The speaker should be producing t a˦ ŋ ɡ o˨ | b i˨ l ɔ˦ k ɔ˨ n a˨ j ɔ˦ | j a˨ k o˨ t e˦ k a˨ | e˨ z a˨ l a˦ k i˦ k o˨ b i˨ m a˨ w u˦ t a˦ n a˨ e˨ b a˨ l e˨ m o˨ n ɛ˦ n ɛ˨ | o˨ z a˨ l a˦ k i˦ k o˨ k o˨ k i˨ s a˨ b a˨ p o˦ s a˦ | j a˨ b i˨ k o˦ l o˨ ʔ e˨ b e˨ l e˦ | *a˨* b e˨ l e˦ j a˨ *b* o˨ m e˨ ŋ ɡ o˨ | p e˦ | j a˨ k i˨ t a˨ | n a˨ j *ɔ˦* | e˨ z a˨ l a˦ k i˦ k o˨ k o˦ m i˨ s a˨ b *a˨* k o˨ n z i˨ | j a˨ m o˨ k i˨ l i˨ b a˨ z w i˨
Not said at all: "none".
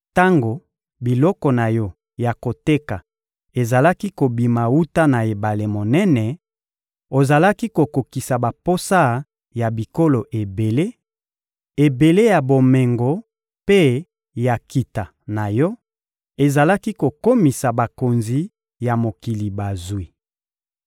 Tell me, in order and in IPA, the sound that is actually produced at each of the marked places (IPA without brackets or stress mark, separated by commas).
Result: e˨, b, ɔ˦, a˨